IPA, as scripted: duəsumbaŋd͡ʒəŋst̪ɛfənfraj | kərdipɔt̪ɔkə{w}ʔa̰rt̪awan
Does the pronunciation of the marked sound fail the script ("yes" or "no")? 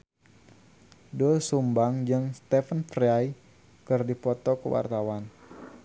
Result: no